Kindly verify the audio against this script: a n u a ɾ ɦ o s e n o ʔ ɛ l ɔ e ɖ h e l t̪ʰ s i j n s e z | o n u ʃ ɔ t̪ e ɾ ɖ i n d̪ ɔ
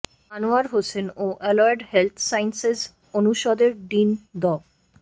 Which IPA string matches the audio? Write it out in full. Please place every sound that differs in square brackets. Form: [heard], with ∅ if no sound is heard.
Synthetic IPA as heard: a n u a ɾ ɦ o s e n o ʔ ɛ l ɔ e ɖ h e l t̪ʰ s [a] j n s e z | o n u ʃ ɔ [d̪] e ɾ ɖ i n d̪ ɔ